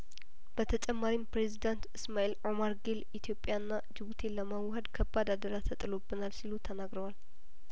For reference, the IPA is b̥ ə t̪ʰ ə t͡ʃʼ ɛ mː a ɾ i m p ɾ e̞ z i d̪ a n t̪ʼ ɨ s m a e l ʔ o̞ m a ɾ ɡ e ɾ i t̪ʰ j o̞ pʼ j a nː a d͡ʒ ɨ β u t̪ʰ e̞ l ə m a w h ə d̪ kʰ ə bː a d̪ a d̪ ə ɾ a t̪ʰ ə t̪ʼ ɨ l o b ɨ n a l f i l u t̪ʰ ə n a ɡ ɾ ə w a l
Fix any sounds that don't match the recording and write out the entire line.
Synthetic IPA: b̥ ə t̪ʰ ə t͡ʃʼ ɛ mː a ɾ i m p ɾ e̞ z i d̪ a n t̪ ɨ s m a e l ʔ o̞ m a ɾ ɡ e l i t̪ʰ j o̞ pʼ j a nː a d͡ʒ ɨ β u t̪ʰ e̞ l ə m a w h ə d̪ kʰ ə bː a d̪ a d̪ ə ɾ a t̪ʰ ə t̪ʼ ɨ l o b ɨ n a l s i l u t̪ʰ ə n a ɡ ɾ ə w a l